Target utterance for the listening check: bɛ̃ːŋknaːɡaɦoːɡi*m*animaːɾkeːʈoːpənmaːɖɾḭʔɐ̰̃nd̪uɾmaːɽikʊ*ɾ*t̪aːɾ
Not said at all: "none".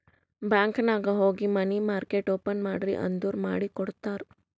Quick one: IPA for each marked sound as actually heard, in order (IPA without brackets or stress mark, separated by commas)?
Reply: m, ɽ